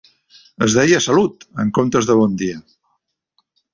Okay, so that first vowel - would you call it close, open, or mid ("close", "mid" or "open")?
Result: mid